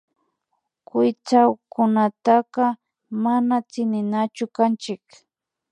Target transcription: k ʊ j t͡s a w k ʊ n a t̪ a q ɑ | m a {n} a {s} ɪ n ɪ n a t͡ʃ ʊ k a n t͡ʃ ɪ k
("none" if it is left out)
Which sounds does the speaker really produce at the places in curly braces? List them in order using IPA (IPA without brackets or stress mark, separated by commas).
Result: n, t͡s